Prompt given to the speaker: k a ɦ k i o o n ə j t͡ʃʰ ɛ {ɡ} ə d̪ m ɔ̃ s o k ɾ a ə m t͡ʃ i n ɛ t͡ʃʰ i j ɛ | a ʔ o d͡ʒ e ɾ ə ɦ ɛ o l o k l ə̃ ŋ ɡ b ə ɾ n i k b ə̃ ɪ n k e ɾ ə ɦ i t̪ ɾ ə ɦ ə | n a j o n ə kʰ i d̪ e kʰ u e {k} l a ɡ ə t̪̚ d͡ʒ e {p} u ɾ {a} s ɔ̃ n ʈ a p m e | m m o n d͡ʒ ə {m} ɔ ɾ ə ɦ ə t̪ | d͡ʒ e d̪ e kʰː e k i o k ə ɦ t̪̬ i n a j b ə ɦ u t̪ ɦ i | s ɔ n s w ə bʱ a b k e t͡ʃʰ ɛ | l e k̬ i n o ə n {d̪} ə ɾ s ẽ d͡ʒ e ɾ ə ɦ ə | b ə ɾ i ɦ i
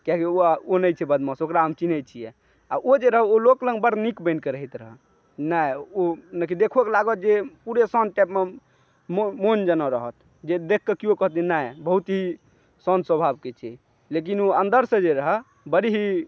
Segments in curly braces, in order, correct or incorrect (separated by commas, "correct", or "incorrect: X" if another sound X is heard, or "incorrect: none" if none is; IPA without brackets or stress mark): incorrect: b, correct, correct, incorrect: e, incorrect: n, correct